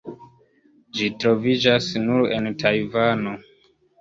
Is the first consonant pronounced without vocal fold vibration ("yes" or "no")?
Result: no